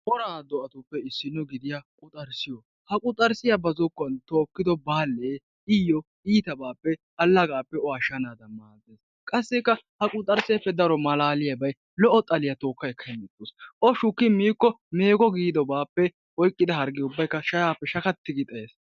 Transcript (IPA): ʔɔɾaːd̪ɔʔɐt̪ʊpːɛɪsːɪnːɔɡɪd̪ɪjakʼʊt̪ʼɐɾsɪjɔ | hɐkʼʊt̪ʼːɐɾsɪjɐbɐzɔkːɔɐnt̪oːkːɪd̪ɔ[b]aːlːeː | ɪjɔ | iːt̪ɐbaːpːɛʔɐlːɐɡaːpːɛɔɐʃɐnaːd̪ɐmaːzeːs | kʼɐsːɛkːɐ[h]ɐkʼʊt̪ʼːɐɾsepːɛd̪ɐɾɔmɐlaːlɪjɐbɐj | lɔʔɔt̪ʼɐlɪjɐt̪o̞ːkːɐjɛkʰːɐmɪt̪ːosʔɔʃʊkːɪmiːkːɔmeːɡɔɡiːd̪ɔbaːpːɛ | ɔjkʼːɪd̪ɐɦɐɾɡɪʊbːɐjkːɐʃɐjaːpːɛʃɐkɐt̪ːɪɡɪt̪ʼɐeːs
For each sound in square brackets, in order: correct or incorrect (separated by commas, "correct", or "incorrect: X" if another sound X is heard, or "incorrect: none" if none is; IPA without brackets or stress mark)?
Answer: correct, correct